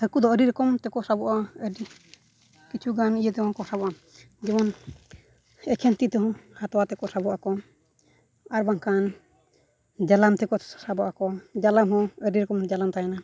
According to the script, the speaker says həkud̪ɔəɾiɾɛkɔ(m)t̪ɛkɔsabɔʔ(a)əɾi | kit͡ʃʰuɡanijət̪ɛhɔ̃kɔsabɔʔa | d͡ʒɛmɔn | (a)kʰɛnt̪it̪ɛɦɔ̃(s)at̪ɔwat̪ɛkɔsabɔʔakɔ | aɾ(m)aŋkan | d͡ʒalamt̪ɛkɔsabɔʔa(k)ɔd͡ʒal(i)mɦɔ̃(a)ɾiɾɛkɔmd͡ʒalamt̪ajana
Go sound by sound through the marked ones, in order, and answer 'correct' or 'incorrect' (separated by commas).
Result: correct, correct, incorrect, incorrect, incorrect, correct, incorrect, incorrect